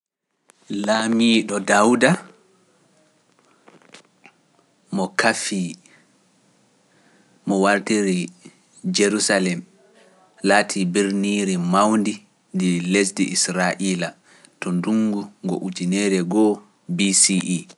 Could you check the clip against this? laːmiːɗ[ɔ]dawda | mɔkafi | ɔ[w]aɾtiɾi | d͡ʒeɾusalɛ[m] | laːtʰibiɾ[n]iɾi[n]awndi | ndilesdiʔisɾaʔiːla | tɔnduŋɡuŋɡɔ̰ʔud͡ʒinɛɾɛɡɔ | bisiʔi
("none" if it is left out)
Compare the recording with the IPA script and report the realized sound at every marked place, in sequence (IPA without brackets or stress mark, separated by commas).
ɔ, w, m, n, m